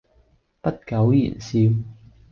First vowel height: low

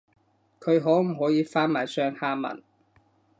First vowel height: mid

